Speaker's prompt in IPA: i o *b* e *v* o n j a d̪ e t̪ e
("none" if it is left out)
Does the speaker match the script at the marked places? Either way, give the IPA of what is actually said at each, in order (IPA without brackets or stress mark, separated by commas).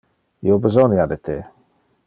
b, z